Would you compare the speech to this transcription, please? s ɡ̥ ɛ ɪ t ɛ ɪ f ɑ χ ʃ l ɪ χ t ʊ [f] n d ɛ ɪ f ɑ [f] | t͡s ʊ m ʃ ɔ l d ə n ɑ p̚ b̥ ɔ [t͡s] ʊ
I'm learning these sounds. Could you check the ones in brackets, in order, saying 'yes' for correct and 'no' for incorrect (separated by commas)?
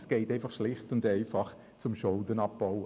no, no, no